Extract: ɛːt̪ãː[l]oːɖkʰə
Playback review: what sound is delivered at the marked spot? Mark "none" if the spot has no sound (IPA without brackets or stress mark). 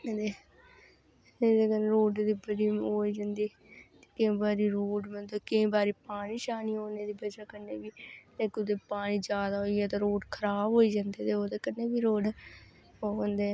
ɾ